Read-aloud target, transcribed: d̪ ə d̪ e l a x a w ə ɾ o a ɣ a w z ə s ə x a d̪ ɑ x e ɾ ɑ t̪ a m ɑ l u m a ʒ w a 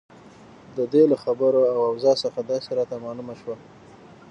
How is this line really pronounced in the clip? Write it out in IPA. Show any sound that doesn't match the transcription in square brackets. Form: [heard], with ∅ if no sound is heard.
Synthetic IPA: d̪ ə d̪ e l a x a [b] ə ɾ o a [w] a w z [ɑ] s ə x a d̪ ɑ [s] e ɾ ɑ t̪ a m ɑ l u m a [ʃ] w a